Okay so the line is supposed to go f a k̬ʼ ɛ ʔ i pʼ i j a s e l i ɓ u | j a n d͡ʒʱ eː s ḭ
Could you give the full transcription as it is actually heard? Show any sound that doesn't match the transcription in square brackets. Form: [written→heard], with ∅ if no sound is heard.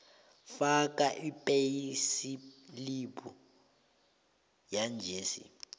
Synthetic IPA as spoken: f a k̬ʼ [ɛ→a] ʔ i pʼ [i→e] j [a→i] s [e→i] l i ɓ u | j a n d͡ʒʱ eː s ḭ